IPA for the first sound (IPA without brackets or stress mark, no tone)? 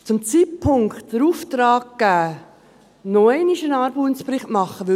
t͡s